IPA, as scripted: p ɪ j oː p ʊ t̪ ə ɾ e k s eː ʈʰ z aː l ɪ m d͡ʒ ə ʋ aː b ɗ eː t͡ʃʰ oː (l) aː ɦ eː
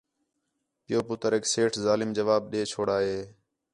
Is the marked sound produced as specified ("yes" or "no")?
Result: no